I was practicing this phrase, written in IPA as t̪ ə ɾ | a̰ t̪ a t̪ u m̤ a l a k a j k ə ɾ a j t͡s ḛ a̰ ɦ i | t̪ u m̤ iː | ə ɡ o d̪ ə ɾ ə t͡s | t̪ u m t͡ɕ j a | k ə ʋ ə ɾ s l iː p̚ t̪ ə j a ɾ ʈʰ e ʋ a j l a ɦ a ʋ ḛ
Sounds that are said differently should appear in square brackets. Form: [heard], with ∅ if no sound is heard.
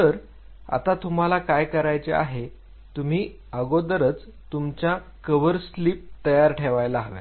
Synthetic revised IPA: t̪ ə ɾ | a̰ t̪ a t̪ u m̤ a l a k a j k ə ɾ a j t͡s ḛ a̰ ɦ [e] | t̪ u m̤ iː | ə ɡ o d̪ ə ɾ ə t͡s | t̪ u m t͡ɕ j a | k ə ʋ ə ɾ s l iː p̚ t̪ ə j a ɾ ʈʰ e ʋ a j l a ɦ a ʋ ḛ

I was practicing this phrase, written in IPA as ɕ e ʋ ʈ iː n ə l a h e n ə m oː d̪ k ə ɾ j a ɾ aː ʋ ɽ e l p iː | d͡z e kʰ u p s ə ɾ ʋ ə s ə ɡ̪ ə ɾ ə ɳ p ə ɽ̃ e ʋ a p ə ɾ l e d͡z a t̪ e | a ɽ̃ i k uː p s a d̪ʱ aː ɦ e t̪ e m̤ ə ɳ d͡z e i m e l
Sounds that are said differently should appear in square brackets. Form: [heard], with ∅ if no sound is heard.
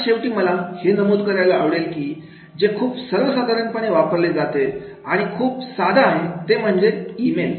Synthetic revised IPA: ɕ e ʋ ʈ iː [m] ə l a h e n ə m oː d̪ k ə ɾ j a [l] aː ʋ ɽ e l [k] iː | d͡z e kʰ [uː] p s ə ɾ ʋ ə s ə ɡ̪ ə ɾ ə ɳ p ə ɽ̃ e ʋ a p ə ɾ l e d͡z a t̪ e | a ɽ̃ i [kʰ] uː p s a d̪ʱ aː ɦ e t̪ e m̤ ə ɳ d͡z e i m e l

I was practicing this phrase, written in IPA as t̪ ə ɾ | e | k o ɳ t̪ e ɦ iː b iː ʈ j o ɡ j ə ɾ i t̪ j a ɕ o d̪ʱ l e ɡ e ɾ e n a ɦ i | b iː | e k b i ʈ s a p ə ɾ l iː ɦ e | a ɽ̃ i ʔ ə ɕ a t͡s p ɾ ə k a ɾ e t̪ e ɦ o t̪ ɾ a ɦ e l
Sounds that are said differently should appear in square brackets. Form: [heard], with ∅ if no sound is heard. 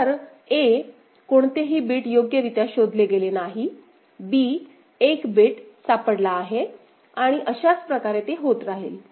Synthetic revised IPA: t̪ ə ɾ | e | k o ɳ t̪ e ɦ iː b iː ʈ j o ɡ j ə ɾ i t̪ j a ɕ o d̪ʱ l e ɡ e [l] e n a ɦ i | b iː | e k b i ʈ s a p ə [ɽ] l [aː] ɦ e | a ɽ̃ i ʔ ə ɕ a t͡s p ɾ ə k a ɾ e t̪ e ɦ o t̪ ɾ a ɦ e l

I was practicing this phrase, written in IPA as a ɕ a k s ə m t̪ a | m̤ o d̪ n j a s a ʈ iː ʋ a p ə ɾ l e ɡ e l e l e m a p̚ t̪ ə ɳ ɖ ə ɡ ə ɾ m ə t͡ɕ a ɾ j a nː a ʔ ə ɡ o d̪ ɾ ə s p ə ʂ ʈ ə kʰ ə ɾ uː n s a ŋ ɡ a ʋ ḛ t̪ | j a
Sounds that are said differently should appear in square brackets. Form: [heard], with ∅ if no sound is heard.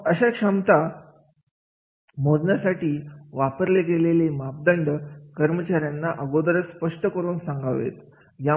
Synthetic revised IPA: [ə] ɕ a k [ʂ] ə m t̪ a | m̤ o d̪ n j a s a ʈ iː ʋ a p ə ɾ l e ɡ e l e l e m a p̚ [d̪] ə ɳ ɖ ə [k] ə ɾ m ə t͡ɕ a ɾ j a nː a ʔ ə ɡ o d̪ ɾ ə s p ə ʂ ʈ ə [k] ə ɾ uː n s a ŋ ɡ a ʋ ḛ t̪ | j a

